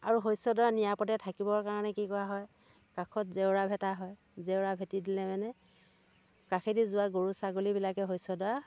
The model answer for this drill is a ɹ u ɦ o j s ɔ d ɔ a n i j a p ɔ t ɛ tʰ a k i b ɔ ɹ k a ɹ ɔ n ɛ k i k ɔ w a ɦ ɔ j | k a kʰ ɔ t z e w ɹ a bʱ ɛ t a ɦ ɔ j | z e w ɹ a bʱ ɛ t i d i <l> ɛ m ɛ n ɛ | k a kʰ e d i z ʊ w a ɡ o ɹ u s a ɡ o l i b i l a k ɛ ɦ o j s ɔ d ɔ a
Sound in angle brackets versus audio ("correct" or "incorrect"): correct